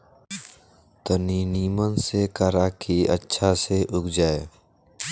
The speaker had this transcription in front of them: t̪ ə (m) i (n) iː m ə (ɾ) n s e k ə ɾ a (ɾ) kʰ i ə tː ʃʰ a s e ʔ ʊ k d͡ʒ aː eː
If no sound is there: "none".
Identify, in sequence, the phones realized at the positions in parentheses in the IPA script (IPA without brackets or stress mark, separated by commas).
n, n, none, none